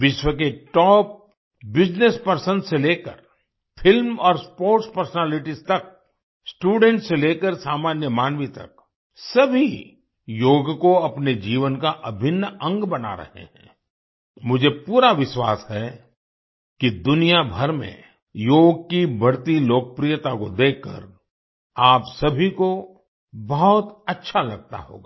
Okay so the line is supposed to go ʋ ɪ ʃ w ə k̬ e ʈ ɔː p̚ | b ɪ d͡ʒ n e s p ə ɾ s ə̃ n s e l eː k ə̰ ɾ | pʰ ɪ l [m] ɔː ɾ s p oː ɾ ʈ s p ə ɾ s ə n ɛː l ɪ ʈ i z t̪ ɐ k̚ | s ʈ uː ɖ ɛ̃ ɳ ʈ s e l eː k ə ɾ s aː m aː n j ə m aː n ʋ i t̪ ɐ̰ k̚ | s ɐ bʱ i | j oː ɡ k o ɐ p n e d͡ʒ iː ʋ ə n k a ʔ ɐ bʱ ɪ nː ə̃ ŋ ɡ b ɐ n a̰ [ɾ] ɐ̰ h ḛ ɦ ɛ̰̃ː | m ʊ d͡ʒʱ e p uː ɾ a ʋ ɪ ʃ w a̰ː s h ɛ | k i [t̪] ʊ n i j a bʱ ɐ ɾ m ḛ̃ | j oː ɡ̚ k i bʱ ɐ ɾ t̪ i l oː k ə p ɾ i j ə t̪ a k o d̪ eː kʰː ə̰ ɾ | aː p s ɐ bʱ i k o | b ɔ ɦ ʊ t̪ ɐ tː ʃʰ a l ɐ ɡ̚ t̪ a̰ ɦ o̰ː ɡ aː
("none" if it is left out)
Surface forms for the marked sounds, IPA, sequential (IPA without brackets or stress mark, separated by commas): m, ɾ, d̪